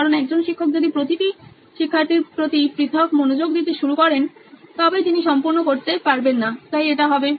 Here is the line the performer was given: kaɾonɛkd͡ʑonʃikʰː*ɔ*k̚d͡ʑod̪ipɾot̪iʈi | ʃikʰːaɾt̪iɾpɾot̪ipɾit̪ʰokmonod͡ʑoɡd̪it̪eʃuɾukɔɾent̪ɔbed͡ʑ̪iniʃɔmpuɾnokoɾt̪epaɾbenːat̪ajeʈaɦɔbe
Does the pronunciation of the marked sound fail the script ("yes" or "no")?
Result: yes